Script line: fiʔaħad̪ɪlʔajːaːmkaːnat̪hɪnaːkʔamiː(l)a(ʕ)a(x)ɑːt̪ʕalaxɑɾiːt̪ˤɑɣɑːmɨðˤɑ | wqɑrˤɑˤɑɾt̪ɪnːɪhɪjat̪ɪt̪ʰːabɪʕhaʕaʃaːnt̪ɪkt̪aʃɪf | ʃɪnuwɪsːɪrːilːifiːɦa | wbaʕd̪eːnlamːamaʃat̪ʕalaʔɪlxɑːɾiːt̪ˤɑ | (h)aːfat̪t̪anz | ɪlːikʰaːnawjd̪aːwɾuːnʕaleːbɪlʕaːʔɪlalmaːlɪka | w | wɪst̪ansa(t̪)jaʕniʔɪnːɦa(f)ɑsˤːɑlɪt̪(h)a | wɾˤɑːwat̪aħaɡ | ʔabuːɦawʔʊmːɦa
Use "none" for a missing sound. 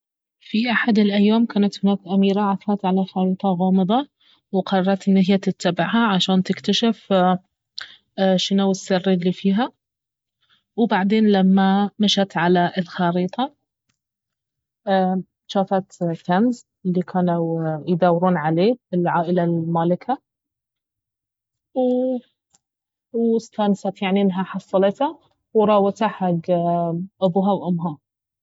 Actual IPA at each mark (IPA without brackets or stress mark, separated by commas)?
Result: ɾ, ʕ, f, ʃ, t̪, ħ, h